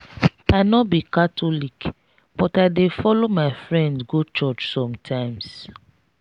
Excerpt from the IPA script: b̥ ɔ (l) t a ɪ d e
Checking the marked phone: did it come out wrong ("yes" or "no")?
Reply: yes